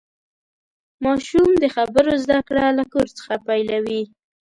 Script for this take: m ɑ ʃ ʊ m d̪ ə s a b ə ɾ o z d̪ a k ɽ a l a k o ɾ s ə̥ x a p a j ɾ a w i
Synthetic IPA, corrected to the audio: m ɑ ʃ u m d̪ ə x a b ə ɾ o z d̪ a k ɽ a l a k o ɾ t͡s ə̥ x a p a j l a w i